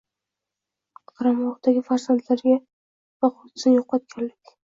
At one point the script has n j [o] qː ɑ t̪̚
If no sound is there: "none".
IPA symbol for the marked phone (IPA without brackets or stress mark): o